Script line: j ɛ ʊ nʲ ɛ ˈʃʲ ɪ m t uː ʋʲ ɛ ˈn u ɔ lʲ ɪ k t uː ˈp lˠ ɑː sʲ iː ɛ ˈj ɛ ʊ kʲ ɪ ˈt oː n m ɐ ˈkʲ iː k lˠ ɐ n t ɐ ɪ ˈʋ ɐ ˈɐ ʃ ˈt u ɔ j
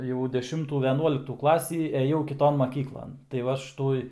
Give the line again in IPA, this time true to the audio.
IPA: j ɛ ʊ dʲ ɛ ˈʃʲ ɪ m t uː ʋʲ ɛ ˈn u ɔ lʲ ɪ k t uː ˈk lˠ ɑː sʲ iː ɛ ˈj ɛ ʊ kʲ ɪ ˈt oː n m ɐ ˈkʲ iː k lˠ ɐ n t ɐ ɪ ˈʋ ɐ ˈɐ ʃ ˈt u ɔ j